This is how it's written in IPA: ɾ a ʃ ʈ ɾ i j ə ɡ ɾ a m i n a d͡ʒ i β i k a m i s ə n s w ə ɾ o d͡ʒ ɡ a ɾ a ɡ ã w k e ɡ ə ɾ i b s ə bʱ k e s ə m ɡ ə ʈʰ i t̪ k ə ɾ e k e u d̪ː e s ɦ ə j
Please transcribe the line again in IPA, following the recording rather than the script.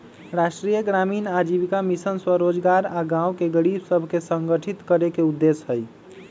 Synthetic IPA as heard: ɾ a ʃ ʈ ɾ i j ə ɡ ɾ a m i n a d͡ʒ i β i k a m i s ə n s w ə ɾ o d͡ʒ ɡ a ɾ a ɡ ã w k e ɡ ə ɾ i b s ə bʱ k e s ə ŋ ɡ ə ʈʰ i t̪ k ə ɾ e k e u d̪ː e s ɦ ə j